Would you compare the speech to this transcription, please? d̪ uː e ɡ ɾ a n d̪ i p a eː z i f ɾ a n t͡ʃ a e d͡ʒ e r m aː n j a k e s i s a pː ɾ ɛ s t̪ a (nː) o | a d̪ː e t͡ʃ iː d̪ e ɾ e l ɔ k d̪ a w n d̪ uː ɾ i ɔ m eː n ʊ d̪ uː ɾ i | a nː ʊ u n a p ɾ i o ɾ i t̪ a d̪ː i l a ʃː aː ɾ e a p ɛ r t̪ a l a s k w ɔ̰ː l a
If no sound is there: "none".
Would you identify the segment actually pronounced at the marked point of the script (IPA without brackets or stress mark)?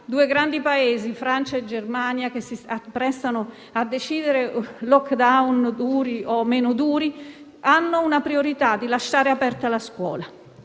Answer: n